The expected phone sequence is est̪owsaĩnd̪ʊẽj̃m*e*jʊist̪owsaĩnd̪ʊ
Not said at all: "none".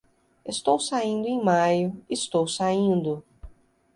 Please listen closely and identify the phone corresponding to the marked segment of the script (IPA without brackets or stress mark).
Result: a